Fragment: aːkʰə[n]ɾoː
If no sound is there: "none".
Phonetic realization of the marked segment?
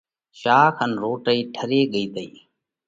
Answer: n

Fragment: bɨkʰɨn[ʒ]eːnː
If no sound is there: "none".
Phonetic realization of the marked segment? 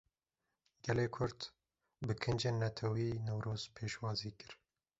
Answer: d͡ʒ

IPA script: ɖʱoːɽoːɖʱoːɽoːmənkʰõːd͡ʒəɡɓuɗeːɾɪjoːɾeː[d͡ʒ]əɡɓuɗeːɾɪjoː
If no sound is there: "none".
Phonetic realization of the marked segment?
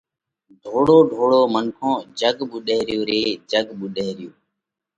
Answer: d͡ʒ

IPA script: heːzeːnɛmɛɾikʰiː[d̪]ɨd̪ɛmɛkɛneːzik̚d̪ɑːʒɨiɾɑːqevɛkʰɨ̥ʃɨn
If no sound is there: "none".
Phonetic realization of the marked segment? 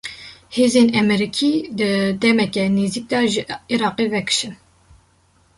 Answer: d̪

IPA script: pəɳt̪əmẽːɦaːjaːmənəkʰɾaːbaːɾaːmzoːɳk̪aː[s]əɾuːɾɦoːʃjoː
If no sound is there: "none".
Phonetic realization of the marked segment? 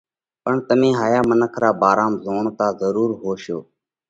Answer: z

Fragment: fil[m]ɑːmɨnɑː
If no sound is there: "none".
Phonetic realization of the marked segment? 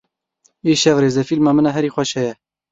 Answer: m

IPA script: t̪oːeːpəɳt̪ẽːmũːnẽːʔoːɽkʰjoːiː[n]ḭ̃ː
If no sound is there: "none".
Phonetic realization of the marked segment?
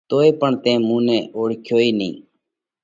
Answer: n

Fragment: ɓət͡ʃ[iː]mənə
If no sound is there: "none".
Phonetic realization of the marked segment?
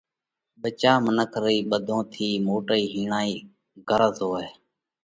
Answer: aː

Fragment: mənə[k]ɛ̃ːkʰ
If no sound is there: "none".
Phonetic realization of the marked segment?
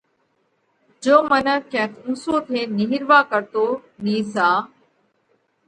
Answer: k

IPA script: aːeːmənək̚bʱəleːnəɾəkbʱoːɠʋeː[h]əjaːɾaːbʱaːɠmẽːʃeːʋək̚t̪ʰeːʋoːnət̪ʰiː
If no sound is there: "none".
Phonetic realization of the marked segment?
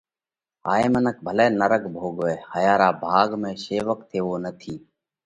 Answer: h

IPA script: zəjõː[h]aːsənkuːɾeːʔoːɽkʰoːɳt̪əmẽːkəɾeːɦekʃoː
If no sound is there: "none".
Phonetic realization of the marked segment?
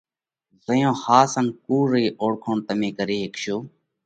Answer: h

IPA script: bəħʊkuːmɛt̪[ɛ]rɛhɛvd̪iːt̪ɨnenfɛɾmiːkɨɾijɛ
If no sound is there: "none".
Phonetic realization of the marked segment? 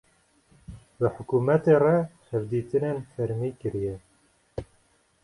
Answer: e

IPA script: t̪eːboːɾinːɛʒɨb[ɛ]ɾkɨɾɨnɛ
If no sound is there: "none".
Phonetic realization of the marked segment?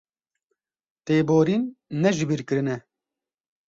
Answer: i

